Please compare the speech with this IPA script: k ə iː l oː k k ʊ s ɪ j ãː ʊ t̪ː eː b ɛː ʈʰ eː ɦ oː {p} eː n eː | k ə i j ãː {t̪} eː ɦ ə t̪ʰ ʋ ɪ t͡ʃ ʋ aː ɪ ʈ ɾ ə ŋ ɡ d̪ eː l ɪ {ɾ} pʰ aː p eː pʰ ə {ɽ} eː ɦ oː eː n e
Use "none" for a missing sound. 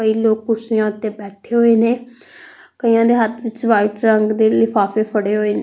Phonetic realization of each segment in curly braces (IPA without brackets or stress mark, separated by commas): none, d̪, none, ɽ